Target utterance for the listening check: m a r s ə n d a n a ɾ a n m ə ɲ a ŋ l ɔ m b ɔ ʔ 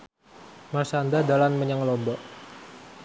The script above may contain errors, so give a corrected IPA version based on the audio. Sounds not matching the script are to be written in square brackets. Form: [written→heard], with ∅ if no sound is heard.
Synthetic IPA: m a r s [ə→a] n d a [n→d] a [ɾ→l] a n m ə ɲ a ŋ l ɔ m b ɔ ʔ